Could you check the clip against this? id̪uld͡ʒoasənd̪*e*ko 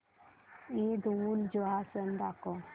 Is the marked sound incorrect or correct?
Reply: incorrect